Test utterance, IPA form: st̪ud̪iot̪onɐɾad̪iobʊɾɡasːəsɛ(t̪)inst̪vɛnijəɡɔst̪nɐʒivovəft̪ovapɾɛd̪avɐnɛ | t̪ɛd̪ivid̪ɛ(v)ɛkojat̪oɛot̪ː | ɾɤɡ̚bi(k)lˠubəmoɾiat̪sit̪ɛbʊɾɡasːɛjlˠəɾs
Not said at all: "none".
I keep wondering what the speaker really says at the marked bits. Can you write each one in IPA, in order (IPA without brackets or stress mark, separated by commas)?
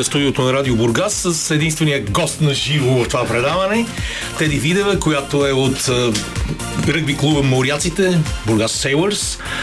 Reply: d̪, v, k